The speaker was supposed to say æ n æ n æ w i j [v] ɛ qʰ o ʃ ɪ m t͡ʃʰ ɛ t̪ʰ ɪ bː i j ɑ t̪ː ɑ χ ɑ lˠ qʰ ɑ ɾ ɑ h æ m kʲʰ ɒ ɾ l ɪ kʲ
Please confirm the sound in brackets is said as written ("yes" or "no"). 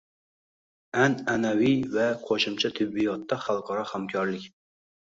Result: yes